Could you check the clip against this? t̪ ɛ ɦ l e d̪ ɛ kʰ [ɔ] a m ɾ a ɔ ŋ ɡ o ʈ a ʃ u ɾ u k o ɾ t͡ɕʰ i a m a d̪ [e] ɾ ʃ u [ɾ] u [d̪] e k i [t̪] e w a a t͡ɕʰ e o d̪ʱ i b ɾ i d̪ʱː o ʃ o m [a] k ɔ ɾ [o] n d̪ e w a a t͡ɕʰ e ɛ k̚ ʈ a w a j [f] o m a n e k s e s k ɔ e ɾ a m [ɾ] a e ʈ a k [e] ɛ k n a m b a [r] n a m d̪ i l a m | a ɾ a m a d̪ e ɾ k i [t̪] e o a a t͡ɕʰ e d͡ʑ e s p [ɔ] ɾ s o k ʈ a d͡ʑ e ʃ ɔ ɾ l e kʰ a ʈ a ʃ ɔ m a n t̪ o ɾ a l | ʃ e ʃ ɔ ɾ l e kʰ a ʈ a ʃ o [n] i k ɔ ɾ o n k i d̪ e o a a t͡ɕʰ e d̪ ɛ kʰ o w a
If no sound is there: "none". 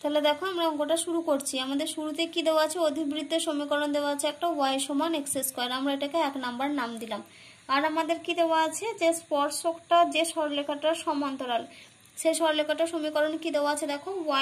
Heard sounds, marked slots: o, e, ɾ, t̪, d̪, i, o, ʃ, ɾ, e, ɾ, d̪, ɔ, m

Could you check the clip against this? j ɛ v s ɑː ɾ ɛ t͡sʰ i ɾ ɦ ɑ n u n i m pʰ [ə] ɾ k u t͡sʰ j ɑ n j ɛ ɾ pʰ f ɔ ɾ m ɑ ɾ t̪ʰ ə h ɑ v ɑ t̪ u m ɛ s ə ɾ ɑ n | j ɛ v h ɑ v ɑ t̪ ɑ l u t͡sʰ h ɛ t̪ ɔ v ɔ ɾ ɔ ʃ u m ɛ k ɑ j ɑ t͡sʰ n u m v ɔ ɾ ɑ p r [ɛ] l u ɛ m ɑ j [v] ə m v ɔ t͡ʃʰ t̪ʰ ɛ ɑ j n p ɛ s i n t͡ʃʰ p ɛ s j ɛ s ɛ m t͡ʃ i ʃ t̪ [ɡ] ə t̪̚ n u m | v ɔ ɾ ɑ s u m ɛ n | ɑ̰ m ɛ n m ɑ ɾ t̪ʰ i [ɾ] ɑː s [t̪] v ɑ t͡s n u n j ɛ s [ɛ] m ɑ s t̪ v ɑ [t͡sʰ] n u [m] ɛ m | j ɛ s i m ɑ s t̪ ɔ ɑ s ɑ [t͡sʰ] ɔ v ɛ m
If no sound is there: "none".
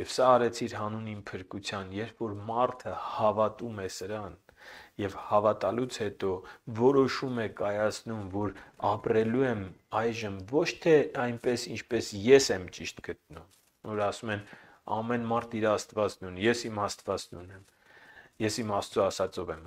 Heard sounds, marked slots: ə, ɛ, ʒ, ɡ, ɾ, t̪, i, t͡s, n, t͡s

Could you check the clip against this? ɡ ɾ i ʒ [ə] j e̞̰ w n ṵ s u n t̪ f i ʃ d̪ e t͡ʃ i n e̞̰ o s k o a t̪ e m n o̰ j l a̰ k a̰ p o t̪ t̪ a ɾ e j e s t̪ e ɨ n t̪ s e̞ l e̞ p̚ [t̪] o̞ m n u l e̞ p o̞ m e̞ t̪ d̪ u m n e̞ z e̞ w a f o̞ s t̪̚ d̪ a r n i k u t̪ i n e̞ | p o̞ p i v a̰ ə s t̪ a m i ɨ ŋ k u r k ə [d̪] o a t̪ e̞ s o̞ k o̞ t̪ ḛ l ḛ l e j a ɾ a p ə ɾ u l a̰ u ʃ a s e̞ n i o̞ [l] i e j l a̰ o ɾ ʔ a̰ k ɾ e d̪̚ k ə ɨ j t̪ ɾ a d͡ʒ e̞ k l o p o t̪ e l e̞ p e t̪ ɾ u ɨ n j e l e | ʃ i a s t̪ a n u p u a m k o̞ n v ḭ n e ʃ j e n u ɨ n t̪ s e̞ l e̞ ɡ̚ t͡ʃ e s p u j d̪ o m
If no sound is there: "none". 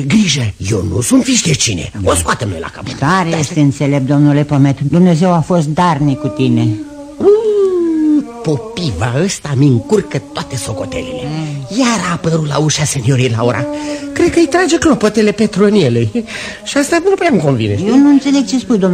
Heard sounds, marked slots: ə, d̪, t̪, ɾ

